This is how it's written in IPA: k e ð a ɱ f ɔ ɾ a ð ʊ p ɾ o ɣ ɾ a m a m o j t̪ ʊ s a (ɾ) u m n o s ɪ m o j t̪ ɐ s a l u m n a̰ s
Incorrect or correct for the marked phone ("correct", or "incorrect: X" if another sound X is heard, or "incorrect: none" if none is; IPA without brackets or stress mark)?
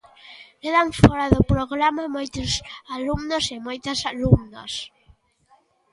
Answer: incorrect: l